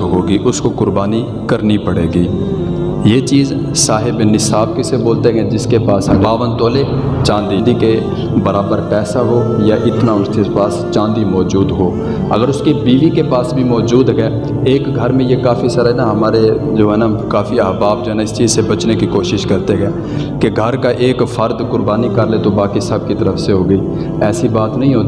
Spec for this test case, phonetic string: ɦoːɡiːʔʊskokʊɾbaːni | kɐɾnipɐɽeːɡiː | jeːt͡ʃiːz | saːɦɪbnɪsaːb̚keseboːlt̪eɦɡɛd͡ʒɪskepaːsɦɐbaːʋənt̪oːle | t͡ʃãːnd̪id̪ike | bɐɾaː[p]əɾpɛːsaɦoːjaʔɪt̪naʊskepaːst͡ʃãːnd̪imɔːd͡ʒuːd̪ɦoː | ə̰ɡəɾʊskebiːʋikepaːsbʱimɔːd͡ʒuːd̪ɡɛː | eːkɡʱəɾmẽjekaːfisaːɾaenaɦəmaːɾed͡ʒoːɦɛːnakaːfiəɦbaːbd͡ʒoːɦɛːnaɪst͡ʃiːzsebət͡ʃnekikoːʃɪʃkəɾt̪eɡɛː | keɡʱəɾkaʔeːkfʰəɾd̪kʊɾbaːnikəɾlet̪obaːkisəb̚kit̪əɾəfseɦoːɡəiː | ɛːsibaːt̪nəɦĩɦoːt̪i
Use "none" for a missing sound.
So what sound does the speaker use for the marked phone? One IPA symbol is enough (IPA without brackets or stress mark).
b